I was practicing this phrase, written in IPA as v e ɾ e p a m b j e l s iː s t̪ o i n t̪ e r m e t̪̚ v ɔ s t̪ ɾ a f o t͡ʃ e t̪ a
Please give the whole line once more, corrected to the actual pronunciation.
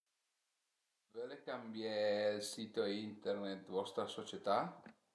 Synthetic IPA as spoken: v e l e k a m b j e l s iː t̪ o i n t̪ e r n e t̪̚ v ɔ s t̪ ɾ a s o t͡ʃ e t̪ a

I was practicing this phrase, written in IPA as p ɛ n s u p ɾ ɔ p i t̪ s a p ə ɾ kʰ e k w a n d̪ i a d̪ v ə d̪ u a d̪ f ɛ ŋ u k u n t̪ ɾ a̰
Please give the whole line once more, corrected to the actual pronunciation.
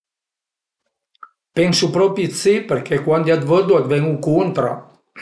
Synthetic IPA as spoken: p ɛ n s u p ɾ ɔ p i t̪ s i p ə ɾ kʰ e k w a n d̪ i a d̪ v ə d̪ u a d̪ v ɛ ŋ u k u n t̪ ɾ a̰

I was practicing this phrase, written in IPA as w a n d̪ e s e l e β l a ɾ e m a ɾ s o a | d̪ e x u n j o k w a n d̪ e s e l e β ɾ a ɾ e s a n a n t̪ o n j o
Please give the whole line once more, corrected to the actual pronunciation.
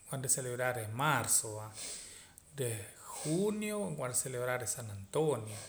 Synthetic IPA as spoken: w a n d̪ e s e l e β ɾ a ɾ e m a ɾ s o a | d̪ e x u n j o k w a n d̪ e s e l e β ɾ a ɾ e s a n a n t̪ o n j o

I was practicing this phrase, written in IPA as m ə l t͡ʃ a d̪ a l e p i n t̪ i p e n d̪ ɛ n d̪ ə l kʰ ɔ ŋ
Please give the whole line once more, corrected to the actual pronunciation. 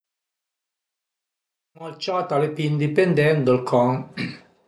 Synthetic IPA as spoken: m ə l t͡ʃ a t̪ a l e p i n d̪ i p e n d̪ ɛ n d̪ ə l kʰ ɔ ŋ

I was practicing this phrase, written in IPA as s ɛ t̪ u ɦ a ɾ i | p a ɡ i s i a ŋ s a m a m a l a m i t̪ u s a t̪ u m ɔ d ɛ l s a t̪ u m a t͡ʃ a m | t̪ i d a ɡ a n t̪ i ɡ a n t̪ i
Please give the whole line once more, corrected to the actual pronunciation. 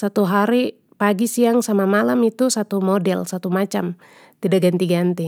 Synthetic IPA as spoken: s a t̪ u ɦ a ɾ i | p a ɡ i s i a ŋ s a m a m a l a m i t̪ u s a t̪ u m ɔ d ɛ l s a t̪ u m a t͡ʃ a m | t̪ i d a ɡ a n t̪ i ɡ a n t̪ i

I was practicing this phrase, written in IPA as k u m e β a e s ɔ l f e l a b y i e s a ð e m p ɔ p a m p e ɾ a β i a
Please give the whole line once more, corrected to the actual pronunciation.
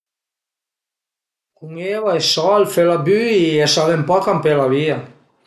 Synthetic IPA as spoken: k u ŋ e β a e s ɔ l f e l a b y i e s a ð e m p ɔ k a m p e l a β i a

